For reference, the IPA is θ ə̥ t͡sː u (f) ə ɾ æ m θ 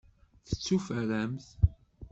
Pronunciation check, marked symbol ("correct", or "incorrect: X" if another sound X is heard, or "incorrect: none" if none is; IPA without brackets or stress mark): correct